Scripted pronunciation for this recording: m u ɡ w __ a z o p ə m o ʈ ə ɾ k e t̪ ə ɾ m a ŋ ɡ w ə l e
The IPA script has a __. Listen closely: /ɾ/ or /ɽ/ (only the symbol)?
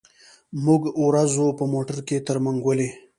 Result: ɾ